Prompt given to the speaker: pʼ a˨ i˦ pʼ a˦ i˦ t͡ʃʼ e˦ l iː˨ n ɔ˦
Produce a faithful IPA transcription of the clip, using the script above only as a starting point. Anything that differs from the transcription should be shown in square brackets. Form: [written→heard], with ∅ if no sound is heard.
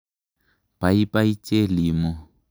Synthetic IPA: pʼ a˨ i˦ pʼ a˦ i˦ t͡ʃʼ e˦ l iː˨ [n→m] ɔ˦